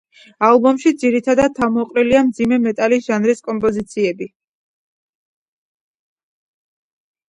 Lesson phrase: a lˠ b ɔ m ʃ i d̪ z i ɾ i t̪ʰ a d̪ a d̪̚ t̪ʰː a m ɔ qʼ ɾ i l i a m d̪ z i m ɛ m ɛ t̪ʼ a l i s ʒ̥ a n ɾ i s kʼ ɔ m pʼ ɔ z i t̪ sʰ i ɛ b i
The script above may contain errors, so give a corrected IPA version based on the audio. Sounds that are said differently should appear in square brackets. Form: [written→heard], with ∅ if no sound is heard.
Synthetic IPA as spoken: a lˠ b ɔ m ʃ i d̪ z i ɾ i t̪ʰ a d̪ a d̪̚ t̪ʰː a m ɔ qʼ ɾ i l i a m d̪ z i m ɛ m ɛ t̪ʼ a l i s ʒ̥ a n ɾ i s kʼ ɔ m pʼ ɔ z i t̪ sʰ i ɛ b i